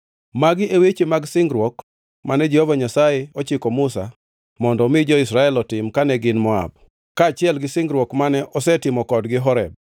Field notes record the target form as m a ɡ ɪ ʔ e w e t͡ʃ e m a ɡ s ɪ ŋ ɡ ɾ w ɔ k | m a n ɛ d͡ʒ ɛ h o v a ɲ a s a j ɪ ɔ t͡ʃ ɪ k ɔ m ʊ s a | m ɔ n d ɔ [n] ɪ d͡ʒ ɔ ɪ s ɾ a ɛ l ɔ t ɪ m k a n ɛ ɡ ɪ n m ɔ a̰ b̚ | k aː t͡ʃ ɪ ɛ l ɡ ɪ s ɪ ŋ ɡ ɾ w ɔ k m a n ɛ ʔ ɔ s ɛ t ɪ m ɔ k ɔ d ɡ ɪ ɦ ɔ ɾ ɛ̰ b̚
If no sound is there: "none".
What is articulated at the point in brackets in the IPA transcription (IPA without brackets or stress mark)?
m